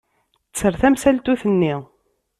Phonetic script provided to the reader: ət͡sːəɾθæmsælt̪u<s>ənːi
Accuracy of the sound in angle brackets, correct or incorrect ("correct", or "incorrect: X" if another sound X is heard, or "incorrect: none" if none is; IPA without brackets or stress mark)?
incorrect: θ